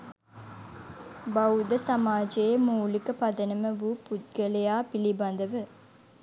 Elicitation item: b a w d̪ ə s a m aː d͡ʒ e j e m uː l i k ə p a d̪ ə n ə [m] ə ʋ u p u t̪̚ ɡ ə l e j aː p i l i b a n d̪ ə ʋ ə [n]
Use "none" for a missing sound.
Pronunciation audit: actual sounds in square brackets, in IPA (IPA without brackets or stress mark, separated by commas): m, none